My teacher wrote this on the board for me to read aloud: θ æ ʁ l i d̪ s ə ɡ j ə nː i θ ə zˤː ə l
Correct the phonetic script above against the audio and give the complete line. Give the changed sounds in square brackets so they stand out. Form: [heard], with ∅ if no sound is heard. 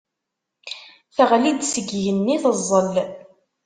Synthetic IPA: θ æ ʁ l i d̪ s ə ɡ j ə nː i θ ə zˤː ə l